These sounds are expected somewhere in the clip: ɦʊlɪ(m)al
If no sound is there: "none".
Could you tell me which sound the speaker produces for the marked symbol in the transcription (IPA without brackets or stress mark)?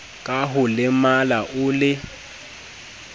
m